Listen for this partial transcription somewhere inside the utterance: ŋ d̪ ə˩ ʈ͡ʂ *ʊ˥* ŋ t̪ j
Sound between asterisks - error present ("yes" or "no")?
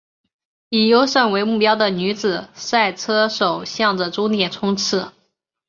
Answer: no